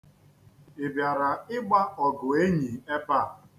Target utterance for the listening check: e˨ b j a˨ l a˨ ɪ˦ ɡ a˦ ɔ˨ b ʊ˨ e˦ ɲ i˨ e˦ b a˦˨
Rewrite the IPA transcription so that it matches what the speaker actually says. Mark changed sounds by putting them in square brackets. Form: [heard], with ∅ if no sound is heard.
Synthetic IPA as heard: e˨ b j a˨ [ɾ] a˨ ɪ˦ [ɡ͡b] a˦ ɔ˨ [ɡ] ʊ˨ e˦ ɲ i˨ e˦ [p] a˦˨

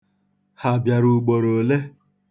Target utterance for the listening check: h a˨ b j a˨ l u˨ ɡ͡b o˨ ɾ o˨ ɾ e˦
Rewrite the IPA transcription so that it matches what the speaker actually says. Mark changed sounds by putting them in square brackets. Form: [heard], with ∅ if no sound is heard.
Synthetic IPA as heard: h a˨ b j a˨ [ɾ] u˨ ɡ͡b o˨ ɾ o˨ [l] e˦

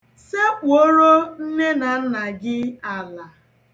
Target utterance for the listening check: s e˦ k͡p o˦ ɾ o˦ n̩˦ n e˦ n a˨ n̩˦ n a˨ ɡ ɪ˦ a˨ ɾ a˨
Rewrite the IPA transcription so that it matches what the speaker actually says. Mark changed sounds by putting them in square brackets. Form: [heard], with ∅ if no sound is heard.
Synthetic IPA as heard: s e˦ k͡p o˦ ɾ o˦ n̩˦ n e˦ n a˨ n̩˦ n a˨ ɡ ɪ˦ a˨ [l] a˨

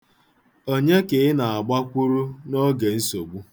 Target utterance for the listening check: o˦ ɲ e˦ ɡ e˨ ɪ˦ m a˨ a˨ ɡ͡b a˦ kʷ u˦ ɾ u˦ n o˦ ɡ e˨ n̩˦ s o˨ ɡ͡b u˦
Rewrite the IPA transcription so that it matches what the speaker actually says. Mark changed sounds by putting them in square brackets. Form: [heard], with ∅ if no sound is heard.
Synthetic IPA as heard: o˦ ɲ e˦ [k] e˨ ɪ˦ [n] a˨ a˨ ɡ͡b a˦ kʷ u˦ ɾ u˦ n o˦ ɡ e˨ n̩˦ s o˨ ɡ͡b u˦

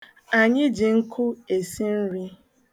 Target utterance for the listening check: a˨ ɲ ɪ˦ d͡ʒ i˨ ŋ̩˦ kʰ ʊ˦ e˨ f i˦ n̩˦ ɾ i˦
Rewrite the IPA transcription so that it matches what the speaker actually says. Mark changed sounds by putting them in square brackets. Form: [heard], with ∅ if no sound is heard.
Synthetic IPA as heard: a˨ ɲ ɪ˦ d͡ʒ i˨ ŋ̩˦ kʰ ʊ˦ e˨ [s] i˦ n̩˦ ɾ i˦

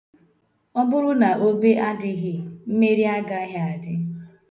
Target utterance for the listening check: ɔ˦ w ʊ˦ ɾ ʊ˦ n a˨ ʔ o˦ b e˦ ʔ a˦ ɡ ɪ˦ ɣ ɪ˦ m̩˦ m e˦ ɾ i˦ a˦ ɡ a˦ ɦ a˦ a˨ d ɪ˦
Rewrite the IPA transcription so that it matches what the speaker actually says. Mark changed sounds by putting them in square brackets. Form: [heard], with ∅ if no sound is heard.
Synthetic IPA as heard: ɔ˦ [b] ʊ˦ ɾ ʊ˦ n a˨ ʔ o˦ b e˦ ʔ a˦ [d] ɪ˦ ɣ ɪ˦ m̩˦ m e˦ ɾ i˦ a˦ ɡ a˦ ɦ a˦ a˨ d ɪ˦

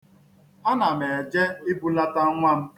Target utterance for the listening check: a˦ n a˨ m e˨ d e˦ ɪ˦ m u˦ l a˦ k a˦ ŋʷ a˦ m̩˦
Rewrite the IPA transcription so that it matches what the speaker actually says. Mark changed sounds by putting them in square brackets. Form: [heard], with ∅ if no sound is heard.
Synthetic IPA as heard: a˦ n a˨ m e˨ [d͡ʒ] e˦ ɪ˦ [b] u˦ l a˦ [t] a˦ ŋʷ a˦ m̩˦

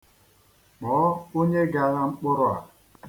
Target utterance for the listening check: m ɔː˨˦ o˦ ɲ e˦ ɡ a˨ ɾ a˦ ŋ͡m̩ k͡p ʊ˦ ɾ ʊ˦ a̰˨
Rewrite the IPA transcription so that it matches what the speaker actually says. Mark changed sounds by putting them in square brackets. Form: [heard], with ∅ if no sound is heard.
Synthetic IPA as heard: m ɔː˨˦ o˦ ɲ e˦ ɡ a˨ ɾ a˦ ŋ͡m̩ k͡p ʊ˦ ɾ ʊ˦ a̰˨

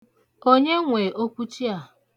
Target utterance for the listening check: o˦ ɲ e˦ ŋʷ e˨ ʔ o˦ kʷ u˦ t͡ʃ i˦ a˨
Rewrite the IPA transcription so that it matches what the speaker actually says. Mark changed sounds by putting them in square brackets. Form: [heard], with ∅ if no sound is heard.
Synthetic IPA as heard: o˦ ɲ e˦ ŋʷ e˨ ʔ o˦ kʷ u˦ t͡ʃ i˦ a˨

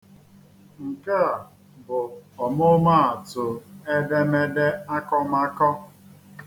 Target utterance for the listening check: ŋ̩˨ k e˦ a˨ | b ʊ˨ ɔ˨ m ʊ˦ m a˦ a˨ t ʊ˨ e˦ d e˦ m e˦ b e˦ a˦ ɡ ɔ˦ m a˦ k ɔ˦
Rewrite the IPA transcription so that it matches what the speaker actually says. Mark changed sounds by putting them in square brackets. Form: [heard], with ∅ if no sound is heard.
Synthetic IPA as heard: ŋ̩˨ k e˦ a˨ | b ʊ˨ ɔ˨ m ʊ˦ m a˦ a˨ t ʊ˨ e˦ d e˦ m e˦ [d] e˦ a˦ [k] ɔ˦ m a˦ k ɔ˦

